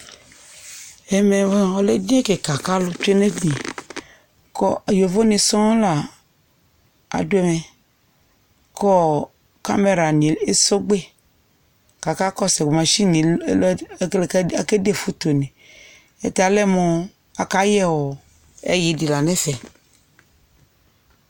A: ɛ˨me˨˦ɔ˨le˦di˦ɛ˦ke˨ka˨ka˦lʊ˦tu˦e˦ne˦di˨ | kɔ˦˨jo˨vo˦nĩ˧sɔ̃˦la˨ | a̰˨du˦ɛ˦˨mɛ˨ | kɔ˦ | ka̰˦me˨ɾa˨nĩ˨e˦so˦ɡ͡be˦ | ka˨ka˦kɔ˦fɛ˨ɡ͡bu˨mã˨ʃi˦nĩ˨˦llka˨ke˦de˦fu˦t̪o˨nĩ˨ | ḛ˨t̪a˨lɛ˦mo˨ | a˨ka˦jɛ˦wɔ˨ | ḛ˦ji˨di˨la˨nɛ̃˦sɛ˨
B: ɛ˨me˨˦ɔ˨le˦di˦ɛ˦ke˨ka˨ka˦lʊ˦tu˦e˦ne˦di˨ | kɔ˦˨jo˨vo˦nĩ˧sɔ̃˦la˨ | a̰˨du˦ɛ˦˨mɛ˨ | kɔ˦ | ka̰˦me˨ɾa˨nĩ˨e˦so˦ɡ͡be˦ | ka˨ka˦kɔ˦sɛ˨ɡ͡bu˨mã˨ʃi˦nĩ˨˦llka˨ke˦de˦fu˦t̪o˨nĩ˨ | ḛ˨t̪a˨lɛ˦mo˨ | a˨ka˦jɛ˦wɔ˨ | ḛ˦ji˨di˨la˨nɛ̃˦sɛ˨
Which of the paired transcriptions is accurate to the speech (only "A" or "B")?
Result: B